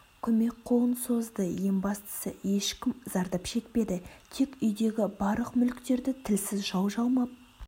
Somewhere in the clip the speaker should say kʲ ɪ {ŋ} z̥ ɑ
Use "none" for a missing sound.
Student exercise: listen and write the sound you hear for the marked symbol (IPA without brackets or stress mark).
m